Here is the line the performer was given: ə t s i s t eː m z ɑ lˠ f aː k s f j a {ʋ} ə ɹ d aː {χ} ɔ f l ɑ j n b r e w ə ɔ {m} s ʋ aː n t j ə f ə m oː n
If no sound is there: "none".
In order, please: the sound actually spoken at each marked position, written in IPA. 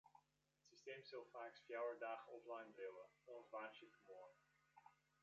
w, χ, n

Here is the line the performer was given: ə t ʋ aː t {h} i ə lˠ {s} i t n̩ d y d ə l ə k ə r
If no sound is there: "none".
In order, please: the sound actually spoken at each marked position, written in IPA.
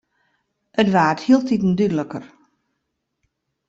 h, t

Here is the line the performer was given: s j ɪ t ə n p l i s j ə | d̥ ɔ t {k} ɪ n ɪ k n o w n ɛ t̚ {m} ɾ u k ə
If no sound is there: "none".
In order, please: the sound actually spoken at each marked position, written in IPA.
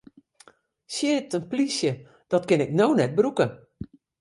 k, b

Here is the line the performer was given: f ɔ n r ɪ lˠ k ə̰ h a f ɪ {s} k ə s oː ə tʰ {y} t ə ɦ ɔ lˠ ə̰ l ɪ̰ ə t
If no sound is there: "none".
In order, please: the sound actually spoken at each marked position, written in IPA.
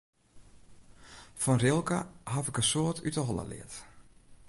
none, y

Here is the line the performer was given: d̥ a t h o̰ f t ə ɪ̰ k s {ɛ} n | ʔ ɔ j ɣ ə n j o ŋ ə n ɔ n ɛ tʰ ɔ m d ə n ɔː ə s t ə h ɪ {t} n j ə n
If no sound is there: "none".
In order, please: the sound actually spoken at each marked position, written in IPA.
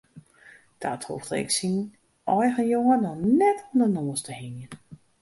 i, none

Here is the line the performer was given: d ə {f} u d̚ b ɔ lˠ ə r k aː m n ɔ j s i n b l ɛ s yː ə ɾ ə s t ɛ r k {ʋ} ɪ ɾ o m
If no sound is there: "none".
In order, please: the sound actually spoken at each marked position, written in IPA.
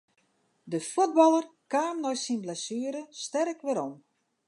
f, ʋ

